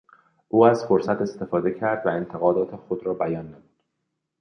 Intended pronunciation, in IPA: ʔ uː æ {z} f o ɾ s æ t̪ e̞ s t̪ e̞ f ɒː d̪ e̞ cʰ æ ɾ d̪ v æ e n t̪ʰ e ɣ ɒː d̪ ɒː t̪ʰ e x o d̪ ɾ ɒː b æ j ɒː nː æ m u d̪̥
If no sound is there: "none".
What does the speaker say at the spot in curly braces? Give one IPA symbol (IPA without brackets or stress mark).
z